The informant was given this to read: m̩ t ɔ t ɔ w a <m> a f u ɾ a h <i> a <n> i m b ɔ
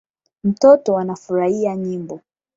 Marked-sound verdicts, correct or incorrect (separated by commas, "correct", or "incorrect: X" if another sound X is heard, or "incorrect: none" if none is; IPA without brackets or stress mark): incorrect: n, correct, incorrect: ɲ